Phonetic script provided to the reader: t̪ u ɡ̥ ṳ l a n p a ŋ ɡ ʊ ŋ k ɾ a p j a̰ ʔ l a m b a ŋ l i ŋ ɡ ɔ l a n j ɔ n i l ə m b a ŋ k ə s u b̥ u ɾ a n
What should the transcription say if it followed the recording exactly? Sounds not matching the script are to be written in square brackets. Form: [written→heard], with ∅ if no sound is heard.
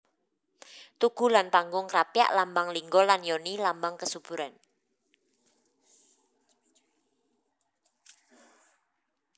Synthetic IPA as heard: t̪ u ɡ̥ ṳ l a n p a ŋ ɡ ʊ ŋ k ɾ a p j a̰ ʔ l a m b a ŋ l i ŋ ɡ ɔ l a n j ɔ n i l [ə→a] m b a ŋ k ə s u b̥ u ɾ a n